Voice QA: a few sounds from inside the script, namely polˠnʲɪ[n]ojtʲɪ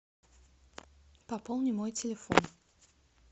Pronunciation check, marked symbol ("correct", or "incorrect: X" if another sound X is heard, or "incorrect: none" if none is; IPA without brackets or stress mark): incorrect: m